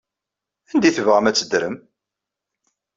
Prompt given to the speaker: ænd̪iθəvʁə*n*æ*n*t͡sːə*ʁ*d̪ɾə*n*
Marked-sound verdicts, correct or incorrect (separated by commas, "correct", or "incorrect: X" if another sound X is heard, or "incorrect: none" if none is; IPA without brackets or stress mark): incorrect: m, incorrect: none, incorrect: none, incorrect: m